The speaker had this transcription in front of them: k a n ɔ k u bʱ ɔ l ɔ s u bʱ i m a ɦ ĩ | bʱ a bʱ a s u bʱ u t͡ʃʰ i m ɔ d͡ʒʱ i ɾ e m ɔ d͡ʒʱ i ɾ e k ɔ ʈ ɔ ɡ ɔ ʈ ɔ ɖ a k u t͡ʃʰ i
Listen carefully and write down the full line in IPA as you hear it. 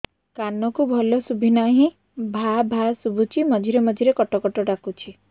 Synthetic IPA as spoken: k a n ɔ k u bʱ ɔ l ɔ s u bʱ i n a ɦ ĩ | bʱ a bʱ a s u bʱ u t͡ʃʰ i m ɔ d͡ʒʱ i ɾ e m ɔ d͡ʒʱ i ɾ e k ɔ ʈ ɔ k ɔ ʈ ɔ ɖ a k u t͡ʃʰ i